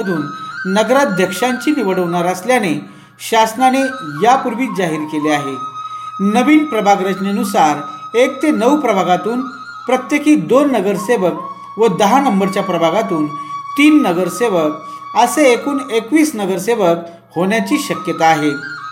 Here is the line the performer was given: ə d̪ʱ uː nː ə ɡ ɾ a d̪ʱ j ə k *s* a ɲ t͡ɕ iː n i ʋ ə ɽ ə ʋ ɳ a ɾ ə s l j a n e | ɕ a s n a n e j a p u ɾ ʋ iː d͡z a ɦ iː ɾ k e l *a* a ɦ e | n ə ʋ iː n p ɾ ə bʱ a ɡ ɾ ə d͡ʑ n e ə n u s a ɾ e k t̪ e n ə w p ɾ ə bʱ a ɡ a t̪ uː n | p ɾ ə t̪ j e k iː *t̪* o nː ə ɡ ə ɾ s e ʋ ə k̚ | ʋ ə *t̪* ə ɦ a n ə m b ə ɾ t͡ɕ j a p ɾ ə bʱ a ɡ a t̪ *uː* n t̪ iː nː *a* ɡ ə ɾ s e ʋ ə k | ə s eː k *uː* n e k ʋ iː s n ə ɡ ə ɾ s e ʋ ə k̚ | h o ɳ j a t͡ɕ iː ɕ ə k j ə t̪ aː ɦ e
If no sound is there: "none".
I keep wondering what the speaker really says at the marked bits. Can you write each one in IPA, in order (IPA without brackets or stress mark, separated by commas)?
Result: ʂ, e, d̪, d̪, uː, ə, uː